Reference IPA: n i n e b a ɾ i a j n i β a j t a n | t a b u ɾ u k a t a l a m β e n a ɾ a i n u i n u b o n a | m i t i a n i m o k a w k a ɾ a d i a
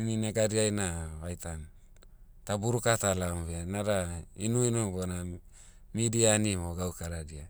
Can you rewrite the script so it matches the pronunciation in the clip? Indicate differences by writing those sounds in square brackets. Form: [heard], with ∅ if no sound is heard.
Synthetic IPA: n i n e [ɡ] a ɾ i a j n [a] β a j t a n | t a b u ɾ u k a t a l a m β e n a ɾ a i n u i n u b o n a | m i [d] i a n i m o [ɡ] a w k a ɾ a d i a